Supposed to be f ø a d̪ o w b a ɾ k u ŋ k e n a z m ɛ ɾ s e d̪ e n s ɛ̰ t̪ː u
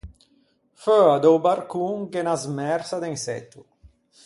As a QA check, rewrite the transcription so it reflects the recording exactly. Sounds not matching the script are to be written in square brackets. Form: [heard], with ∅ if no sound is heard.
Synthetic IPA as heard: f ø a d̪ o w b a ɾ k u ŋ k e n a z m ɛ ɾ s [a] d̪ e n s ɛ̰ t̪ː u